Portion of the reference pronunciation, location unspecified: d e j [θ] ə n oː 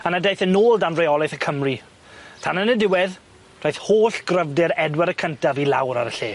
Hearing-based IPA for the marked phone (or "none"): θ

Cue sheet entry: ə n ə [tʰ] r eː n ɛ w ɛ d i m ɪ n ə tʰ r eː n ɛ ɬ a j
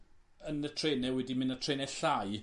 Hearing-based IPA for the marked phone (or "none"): tʰ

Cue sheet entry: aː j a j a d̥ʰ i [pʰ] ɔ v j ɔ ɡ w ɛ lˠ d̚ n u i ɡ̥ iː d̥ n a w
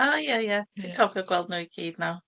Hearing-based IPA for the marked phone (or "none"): kʰ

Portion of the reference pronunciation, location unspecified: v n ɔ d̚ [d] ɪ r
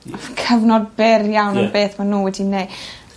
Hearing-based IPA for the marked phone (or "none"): b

